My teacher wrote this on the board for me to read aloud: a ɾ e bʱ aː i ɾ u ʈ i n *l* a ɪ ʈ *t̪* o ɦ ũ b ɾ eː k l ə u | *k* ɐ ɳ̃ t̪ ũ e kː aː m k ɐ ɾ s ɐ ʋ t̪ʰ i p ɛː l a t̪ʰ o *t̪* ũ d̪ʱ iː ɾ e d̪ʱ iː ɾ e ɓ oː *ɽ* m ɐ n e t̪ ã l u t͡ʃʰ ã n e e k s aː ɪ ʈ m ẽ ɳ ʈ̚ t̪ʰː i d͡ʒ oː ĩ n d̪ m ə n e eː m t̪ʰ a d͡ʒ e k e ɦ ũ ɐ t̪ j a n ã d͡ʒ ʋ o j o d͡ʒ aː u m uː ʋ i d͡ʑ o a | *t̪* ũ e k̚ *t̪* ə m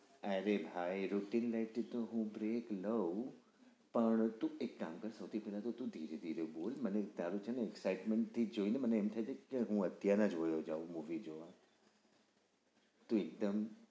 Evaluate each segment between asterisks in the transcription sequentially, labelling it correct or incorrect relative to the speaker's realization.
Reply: correct, correct, incorrect, correct, incorrect, correct, incorrect

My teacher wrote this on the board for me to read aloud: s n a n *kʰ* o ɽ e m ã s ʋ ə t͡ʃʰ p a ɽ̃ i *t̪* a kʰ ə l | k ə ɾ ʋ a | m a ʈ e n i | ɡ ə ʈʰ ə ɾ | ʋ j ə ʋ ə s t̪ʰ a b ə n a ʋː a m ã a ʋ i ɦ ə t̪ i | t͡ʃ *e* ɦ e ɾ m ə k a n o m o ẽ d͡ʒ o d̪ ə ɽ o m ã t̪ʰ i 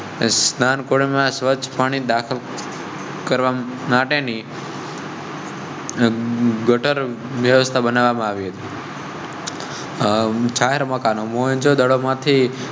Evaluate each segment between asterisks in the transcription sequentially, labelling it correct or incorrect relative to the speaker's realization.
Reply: incorrect, incorrect, incorrect

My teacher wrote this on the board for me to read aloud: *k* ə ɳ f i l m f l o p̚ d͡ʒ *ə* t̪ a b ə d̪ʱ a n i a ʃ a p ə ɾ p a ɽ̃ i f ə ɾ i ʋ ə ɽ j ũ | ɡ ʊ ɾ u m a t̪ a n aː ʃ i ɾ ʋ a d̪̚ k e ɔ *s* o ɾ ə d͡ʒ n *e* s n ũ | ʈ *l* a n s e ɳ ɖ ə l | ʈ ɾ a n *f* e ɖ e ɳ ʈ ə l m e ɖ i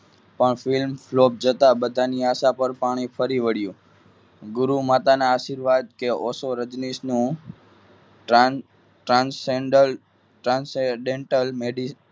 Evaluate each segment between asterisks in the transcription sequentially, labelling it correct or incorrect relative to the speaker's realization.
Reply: incorrect, correct, correct, incorrect, incorrect, incorrect

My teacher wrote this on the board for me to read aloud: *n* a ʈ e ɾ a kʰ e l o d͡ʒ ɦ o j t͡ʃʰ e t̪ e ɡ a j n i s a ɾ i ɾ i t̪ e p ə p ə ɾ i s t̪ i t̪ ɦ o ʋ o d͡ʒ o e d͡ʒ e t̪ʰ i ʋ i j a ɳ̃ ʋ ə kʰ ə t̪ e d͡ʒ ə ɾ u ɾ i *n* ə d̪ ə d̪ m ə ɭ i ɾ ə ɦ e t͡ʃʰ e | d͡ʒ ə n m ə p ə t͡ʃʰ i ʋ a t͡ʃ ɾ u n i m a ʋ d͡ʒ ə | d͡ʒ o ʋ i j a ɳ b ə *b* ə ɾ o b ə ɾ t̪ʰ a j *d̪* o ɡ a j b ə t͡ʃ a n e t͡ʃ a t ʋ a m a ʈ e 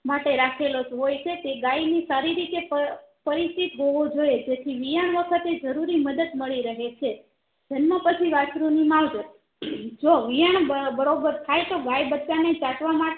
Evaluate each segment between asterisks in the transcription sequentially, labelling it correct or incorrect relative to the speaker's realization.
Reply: incorrect, incorrect, correct, incorrect

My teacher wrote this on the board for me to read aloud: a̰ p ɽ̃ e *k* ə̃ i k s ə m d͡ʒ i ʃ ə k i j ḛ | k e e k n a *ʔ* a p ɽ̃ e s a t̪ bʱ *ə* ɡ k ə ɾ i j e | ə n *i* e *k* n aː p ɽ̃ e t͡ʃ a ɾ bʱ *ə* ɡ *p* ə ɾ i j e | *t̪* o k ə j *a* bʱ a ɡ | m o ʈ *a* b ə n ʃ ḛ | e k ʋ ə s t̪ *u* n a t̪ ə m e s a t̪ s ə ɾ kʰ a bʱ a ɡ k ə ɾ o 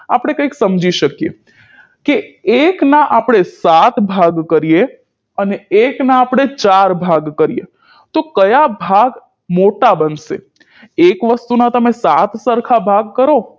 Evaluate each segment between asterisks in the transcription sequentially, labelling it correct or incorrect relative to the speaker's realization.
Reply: correct, correct, incorrect, incorrect, correct, incorrect, incorrect, correct, correct, correct, correct

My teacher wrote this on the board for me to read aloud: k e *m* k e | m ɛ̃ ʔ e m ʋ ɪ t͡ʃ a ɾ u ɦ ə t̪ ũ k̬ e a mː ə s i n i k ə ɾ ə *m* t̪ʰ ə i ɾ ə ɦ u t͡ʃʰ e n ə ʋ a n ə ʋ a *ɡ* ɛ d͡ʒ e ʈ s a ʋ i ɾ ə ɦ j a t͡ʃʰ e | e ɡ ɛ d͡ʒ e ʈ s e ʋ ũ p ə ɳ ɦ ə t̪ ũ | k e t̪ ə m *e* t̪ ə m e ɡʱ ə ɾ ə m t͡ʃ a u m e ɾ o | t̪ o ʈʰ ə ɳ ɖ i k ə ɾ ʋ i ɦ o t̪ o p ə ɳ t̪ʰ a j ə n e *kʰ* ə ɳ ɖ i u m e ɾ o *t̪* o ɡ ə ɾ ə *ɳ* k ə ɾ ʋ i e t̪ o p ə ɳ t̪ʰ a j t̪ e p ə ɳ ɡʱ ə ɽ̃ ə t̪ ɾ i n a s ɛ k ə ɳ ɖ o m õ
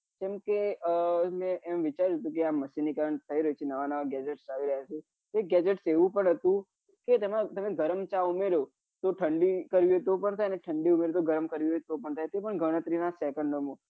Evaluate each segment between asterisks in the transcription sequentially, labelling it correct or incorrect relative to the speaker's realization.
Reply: correct, incorrect, correct, incorrect, incorrect, correct, incorrect

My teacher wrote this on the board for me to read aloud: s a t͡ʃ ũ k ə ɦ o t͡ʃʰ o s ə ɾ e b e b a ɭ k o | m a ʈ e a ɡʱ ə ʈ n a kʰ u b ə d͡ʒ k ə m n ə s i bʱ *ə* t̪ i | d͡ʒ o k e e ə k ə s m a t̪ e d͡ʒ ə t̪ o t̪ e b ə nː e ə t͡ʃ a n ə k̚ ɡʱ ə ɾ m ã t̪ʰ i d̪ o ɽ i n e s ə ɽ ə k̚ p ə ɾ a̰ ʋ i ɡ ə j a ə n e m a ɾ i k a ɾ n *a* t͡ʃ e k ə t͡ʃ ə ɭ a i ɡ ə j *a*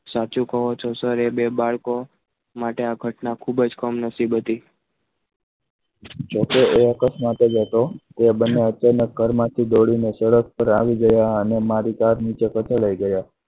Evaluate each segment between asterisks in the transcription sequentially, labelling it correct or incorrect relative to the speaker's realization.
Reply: correct, incorrect, correct

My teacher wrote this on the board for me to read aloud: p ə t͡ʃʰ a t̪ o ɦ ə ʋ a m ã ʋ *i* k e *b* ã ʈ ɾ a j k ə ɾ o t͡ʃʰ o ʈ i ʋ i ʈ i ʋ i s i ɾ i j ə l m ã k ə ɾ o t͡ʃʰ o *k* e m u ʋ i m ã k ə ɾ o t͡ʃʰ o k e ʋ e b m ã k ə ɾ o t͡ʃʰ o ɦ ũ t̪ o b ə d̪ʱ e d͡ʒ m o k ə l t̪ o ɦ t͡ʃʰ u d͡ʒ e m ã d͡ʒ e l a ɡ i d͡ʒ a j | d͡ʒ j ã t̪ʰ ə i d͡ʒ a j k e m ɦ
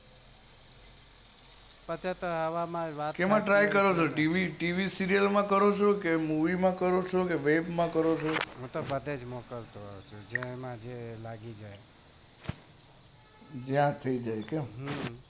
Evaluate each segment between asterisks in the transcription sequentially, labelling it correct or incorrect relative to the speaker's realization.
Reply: incorrect, incorrect, correct

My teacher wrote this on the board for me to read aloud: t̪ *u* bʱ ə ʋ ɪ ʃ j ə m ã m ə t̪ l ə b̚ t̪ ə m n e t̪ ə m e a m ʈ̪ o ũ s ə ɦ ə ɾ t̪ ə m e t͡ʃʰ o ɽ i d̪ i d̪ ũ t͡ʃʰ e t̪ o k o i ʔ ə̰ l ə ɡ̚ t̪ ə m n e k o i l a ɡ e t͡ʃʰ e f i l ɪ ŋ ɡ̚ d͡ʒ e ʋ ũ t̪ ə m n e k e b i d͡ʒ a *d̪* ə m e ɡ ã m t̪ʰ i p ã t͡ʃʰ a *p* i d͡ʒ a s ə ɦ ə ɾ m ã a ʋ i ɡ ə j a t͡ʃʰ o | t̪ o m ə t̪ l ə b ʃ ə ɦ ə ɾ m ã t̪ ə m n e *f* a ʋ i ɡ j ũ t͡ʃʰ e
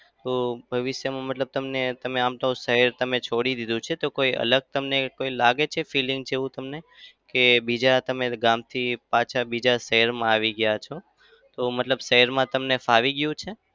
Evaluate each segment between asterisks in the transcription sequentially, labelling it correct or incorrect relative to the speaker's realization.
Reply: incorrect, incorrect, incorrect, correct

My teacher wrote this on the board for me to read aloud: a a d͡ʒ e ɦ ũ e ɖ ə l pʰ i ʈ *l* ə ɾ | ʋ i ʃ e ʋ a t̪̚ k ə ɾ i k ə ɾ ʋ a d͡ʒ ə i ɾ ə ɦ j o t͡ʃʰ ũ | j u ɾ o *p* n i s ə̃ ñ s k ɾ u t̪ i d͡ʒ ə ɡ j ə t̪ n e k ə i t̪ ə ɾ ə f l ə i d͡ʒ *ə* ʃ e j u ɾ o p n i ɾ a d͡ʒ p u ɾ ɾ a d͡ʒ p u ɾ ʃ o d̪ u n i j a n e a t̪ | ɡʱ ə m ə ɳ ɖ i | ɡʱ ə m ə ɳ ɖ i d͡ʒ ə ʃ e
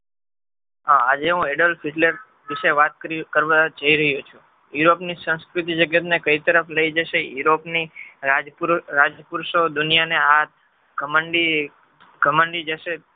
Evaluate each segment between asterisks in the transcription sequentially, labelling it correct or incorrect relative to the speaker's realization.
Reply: correct, correct, correct

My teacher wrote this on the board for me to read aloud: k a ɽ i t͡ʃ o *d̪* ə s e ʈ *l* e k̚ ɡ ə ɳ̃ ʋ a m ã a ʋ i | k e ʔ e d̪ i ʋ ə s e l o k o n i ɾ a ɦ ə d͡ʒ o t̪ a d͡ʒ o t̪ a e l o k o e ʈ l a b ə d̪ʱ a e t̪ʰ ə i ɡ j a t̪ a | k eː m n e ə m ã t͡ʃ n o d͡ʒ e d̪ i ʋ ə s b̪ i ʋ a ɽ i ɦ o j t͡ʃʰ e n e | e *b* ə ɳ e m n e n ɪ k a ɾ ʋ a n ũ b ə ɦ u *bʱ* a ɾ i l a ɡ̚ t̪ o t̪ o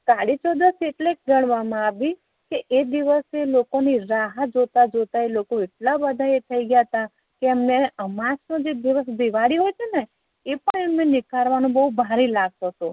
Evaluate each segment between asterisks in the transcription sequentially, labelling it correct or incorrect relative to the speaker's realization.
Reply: correct, correct, incorrect, correct

